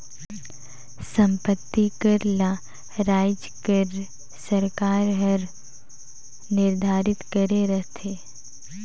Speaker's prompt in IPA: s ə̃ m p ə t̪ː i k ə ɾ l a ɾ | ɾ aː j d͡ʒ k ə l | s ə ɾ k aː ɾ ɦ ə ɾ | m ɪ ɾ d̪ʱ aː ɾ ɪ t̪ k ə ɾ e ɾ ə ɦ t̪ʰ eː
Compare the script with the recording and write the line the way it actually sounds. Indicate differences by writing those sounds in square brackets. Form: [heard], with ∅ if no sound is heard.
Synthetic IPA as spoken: s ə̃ m p ə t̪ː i k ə ɾ l a [∅] | ɾ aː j d͡ʒ k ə [ɾ] | s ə ɾ k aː ɾ ɦ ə ɾ | [n] ɪ ɾ d̪ʱ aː ɾ ɪ t̪ k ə ɾ e ɾ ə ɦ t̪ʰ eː